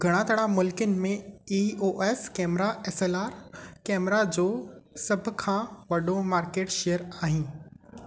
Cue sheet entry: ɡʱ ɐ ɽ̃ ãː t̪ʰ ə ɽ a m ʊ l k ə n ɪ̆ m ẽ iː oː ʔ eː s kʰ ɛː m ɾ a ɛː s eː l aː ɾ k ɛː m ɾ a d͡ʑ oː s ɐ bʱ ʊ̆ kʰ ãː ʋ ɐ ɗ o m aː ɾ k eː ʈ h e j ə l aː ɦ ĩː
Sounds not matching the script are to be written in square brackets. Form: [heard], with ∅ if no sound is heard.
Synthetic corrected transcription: ɡʱ ɐ ɽ̃ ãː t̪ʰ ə ɽ a m ʊ l k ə n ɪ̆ m ẽ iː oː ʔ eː s [k] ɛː m ɾ a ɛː s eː l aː ɾ k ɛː m ɾ a d͡ʑ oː s ɐ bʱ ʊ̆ kʰ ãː ʋ ɐ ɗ o m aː ɾ k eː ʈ [ʃ] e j ə [ɾ] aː ɦ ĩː